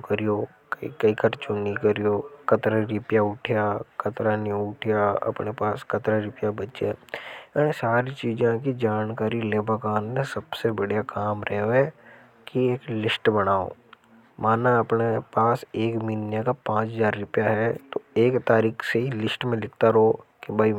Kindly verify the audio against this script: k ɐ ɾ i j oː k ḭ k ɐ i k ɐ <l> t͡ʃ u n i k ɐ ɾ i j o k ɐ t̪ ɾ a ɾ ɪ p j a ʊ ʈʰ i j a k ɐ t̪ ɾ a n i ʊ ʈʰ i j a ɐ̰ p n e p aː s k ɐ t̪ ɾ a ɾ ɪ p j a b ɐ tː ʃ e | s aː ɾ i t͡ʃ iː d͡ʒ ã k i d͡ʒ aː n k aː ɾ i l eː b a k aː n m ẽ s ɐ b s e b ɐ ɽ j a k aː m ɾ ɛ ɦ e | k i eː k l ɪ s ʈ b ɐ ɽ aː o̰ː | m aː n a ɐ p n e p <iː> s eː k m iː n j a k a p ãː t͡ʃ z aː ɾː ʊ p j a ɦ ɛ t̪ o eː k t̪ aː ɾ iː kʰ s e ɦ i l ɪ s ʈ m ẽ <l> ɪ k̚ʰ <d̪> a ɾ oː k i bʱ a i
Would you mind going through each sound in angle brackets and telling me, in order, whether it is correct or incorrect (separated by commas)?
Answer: incorrect, incorrect, correct, incorrect